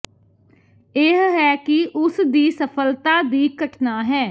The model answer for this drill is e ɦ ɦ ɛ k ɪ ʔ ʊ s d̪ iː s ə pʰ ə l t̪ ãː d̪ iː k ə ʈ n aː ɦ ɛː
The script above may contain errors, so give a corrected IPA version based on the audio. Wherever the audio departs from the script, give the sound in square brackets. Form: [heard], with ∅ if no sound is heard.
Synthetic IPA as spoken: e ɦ ɦ [ɛː] k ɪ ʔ ʊ s d̪ iː s ə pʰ ə l t̪ [aː] d̪ iː k ə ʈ n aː ɦ ɛː